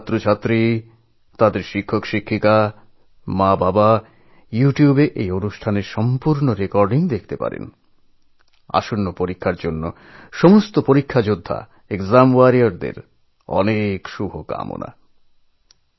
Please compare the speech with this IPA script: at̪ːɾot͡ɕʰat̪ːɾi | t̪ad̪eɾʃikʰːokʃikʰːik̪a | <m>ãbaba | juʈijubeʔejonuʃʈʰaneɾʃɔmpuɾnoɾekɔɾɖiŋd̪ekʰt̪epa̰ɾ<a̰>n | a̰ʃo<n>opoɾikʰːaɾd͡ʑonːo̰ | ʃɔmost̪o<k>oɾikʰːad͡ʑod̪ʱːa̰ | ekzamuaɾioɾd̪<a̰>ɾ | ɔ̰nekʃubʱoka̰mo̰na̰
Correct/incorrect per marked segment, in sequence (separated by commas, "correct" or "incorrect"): correct, incorrect, incorrect, incorrect, incorrect